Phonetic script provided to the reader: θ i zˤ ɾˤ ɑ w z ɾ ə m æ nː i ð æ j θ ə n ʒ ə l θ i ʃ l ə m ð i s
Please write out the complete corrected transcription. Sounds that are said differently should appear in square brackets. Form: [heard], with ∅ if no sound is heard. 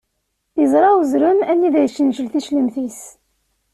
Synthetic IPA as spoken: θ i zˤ ɾˤ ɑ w z ɾ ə m æ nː i ð æ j [ʃ] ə n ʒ ə l θ i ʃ l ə m [θ] i s

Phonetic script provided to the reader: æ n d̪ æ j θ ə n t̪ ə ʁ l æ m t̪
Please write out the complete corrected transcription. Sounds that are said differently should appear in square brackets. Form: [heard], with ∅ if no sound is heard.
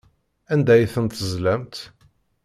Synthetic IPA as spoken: æ n d̪ æ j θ ə n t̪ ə [z] l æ m t̪

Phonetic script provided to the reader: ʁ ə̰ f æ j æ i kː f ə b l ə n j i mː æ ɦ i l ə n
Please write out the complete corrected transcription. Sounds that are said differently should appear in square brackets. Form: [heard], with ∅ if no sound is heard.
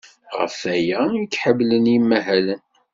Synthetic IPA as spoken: ʁ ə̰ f æ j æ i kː [ħ] ə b l ə n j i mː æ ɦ [æ] l ə n

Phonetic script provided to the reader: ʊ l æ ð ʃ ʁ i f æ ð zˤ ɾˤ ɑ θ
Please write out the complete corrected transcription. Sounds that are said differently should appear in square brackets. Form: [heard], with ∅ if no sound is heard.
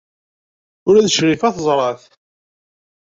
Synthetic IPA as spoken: ʊ [ɾ] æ ð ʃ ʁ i f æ [θ] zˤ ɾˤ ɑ θ

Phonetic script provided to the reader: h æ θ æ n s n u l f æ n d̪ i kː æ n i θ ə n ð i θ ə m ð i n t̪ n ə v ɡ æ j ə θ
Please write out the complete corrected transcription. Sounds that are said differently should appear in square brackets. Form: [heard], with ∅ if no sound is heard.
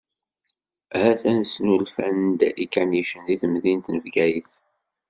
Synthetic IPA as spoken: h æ θ æ n s n u l f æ n d̪ i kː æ n i [ʃ] ə n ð i θ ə m ð i n t̪ n ə v ɡ æ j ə θ

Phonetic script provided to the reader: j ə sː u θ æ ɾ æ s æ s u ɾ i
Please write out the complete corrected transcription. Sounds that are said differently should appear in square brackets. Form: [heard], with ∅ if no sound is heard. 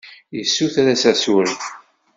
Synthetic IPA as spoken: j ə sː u θ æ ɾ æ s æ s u ɾ i

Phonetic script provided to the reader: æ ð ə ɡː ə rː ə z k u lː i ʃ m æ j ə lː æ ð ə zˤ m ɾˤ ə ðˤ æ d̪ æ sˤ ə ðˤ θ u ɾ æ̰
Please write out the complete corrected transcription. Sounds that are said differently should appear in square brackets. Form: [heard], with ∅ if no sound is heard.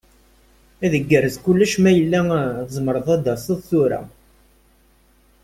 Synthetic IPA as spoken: æ ð ə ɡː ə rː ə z k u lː [æ] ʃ m æ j ə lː æ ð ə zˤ m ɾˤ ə ðˤ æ d̪ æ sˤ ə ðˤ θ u ɾ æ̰

